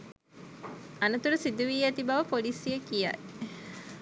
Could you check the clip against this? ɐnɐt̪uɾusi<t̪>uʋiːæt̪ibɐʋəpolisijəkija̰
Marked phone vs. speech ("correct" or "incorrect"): incorrect